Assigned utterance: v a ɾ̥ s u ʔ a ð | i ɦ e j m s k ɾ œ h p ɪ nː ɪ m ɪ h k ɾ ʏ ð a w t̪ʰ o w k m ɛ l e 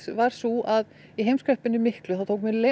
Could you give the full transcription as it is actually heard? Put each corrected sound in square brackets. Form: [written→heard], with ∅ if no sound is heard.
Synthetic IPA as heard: v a ɾ̥ s u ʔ a ð | i ɦ e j m s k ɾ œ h p ɪ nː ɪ m ɪ h k [ɾ→l] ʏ [ð→θ] a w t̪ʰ o w k m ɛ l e